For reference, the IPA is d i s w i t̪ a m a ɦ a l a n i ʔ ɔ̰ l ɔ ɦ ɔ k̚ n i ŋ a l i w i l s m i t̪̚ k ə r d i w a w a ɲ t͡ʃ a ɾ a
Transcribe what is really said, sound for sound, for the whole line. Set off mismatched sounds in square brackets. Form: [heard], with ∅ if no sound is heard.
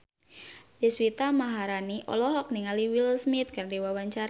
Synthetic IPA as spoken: d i s w i t̪ a m a ɦ a [ɾ] a n i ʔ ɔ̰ l ɔ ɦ ɔ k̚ n i ŋ a l i w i l s m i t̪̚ k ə r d i w a w a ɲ t͡ʃ a ɾ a